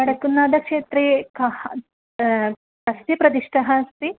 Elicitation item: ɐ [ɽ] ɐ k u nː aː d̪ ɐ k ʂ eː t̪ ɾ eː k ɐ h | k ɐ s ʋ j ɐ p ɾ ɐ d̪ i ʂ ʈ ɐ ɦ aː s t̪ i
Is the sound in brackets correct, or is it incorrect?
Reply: correct